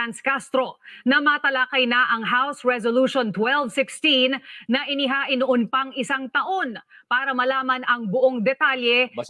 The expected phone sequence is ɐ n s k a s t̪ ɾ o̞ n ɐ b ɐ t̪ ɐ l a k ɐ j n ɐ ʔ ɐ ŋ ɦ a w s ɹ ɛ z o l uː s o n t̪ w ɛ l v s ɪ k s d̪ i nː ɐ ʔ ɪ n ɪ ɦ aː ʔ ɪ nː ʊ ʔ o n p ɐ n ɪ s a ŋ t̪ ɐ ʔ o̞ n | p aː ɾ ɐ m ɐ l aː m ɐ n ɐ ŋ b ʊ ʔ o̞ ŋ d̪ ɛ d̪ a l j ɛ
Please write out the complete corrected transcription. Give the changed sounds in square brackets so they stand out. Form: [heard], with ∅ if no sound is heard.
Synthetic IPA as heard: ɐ n s k a s t̪ ɾ o̞ n ɐ [m] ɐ t̪ ɐ l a k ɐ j n ɐ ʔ ɐ ŋ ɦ a w s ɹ ɛ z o l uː [ʃ] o n t̪ w ɛ l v s ɪ k s [t̪] i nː ɐ ʔ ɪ n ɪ ɦ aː ʔ ɪ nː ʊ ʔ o n p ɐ [ŋ] ɪ s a ŋ t̪ ɐ ʔ o̞ n | p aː ɾ ɐ m ɐ l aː m ɐ n ɐ ŋ b ʊ ʔ o̞ ŋ d̪ ɛ [t̪] a l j ɛ